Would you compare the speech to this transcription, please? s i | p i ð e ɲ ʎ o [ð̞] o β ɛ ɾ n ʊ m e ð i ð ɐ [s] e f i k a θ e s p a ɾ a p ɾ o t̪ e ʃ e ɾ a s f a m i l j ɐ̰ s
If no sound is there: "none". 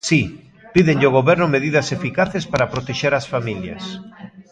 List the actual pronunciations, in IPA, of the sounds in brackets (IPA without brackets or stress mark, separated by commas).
ɣ̞, s